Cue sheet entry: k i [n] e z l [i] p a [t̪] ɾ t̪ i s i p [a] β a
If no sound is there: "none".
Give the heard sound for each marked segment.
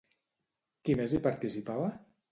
m, i, none, a

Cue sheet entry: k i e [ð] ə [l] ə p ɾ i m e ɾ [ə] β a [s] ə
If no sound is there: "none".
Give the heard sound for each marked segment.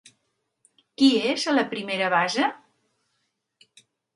z, l, ə, z

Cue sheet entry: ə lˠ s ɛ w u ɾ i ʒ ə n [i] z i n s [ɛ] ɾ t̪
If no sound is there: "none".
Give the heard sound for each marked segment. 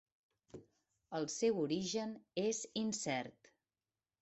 e, ɛ

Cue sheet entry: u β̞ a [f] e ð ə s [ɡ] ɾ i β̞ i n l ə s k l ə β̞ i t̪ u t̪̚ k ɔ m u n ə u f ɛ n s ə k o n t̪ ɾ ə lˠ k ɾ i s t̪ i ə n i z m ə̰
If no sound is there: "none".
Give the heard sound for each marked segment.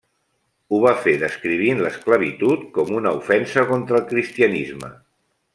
f, k

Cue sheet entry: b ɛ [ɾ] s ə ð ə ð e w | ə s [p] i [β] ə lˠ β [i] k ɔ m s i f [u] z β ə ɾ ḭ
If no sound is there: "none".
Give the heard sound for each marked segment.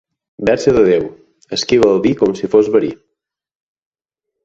ɾ, k, β, i, o

